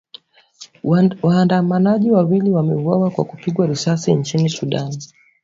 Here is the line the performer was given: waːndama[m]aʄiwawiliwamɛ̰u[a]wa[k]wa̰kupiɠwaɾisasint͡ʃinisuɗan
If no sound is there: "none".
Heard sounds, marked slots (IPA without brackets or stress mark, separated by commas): n, a, k